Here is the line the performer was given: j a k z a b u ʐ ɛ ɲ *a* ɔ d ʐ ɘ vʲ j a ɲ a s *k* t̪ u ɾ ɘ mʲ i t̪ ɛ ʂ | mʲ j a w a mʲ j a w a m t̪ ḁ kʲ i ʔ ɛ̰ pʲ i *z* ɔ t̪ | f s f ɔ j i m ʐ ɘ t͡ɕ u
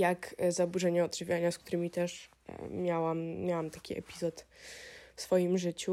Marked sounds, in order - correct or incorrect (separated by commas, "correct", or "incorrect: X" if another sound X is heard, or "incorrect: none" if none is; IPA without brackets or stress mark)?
incorrect: ɛ, correct, correct